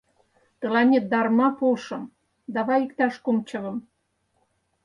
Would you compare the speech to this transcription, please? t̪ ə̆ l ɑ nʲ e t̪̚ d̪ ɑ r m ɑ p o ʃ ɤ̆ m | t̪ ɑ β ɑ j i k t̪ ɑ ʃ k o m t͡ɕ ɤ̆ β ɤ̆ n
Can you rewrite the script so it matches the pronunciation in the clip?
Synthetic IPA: t̪ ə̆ l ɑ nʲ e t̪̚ d̪ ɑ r m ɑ p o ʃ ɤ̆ m | d̪ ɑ β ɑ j i k t̪ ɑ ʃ k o m t͡ɕ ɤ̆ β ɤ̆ m

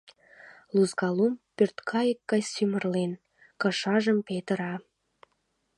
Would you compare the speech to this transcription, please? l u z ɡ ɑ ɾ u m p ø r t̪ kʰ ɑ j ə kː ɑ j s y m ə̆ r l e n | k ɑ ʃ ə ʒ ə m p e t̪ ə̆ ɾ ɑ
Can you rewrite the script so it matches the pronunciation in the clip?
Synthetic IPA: l u z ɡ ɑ l u m p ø r t̪ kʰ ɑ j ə kː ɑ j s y m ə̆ r l e n | k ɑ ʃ ɑ ʒ ə m p e t̪ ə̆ ɾ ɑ

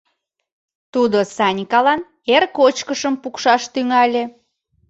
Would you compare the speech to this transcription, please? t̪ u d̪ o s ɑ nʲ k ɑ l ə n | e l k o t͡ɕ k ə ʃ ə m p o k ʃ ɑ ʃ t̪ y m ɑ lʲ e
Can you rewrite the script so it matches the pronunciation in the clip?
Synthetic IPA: t̪ u d̪ o s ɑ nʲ k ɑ l ɑ n | e r k o t͡ɕ k ə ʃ ə m p u k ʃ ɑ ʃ t̪ y ŋ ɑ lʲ e

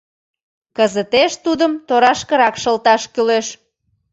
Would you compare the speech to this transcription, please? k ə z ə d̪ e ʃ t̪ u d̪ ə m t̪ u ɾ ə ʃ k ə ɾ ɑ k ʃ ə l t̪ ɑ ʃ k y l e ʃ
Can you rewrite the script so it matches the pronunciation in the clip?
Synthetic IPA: k ə z ə t̪ e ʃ t̪ u d̪ ə m t̪ o ɾ ɑ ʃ k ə ɾ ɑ k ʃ ə l t̪ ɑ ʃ k y l e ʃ

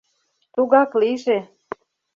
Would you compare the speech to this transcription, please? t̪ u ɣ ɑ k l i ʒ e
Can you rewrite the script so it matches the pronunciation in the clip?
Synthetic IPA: t̪ u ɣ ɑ k l i ʒ e

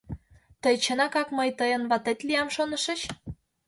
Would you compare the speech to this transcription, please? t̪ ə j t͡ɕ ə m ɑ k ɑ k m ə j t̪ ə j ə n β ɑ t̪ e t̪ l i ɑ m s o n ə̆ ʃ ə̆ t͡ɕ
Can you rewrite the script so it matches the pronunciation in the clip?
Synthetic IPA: t̪ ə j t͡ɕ ə n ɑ k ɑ k m ə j t̪ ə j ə n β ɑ t̪ e t̪ l i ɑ m ʃ o n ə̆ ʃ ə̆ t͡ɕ

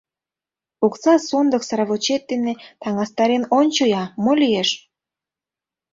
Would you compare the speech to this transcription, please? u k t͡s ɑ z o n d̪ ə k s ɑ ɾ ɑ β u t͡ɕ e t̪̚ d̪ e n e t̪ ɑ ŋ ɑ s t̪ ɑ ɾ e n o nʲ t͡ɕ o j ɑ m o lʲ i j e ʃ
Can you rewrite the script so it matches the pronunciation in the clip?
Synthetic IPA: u k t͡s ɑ s o n d̪ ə k s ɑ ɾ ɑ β o t͡ɕ e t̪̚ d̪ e n e t̪ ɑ ŋ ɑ s t̪ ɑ ɾ e n o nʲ t͡ɕ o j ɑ m o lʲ i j e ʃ

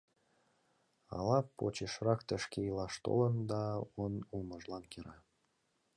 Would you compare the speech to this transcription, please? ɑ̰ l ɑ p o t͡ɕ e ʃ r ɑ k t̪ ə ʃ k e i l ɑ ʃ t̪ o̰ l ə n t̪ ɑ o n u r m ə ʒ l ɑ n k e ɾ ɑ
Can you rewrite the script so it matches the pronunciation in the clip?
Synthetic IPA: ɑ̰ l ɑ p o t͡ɕ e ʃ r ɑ k t̪ ə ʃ k e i l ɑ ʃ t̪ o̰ l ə n d̪ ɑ o n u l m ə ʒ l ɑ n k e ɾ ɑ

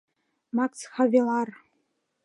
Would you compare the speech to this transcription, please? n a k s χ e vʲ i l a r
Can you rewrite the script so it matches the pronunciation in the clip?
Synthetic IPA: m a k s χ a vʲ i l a r

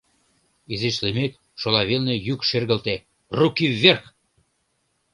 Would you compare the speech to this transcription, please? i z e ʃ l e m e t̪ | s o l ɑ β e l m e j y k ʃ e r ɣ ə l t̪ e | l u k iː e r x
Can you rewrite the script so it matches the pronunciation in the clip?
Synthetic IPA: i z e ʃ l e m e t̪ | ʃ o l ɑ β e l n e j y k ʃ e r ɣ ə l t̪ e | r u k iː e r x

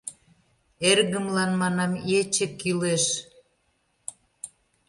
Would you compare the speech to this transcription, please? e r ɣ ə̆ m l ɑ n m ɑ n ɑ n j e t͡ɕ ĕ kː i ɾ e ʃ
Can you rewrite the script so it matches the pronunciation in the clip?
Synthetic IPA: e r ɣ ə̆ m l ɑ n m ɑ n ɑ m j e t͡ɕ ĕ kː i l e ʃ

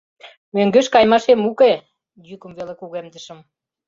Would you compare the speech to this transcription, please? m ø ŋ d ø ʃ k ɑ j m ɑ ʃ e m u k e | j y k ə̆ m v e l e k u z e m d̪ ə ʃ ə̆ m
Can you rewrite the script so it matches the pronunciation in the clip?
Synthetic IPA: m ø ŋ ɡ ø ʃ k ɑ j m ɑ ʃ e m u k e | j y k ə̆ m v e l e k u ɣ e m d̪ ə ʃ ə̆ m

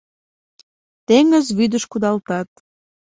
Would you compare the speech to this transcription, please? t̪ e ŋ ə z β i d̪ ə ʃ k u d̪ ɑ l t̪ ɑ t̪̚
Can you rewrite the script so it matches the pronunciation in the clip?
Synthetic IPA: t̪ e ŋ ə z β y d̪ ə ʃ k u d̪ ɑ l t̪ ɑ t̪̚

